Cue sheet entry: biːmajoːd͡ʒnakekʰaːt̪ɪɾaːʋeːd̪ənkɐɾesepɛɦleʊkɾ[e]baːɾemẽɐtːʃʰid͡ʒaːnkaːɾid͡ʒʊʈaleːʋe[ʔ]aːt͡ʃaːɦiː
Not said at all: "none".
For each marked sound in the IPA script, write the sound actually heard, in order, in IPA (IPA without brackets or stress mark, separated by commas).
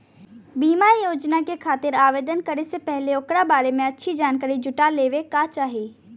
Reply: a, k